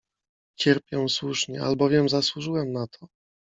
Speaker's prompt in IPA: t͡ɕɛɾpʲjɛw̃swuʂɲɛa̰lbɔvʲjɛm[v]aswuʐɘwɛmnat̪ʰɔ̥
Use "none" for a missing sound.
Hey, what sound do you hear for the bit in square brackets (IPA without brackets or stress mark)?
z